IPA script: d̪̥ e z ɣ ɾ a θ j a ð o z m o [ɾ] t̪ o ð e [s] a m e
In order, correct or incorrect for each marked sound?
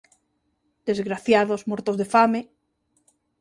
correct, incorrect

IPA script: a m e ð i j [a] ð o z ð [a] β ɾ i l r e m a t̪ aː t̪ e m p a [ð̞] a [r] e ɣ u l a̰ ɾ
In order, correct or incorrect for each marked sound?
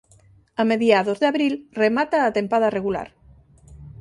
correct, correct, correct, correct

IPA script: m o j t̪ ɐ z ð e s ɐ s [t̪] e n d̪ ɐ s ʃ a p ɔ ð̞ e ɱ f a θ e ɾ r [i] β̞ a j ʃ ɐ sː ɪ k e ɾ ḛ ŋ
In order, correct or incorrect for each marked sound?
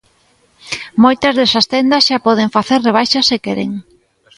correct, incorrect

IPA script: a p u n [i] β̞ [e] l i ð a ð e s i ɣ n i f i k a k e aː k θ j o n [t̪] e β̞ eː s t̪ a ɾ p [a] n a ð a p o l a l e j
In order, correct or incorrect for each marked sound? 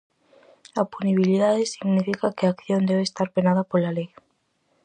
correct, incorrect, incorrect, incorrect

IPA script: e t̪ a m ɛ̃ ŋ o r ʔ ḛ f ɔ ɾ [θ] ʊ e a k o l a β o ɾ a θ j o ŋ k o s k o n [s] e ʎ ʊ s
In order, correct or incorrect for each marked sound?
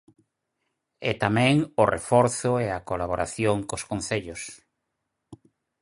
correct, incorrect

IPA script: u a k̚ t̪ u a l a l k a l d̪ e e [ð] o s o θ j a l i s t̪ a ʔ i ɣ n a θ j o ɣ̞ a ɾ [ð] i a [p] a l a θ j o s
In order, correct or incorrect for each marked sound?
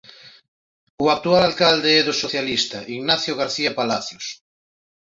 correct, incorrect, correct

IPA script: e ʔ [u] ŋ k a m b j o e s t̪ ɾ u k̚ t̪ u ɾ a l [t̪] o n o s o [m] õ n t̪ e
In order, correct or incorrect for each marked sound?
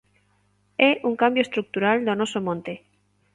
correct, incorrect, correct

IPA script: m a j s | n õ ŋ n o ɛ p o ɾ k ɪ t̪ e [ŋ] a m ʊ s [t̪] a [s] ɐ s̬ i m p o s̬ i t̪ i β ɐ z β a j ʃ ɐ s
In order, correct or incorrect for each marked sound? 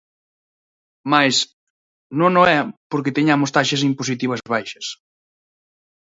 incorrect, correct, incorrect

